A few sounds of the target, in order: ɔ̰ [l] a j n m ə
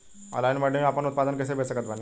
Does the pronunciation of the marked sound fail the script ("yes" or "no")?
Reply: no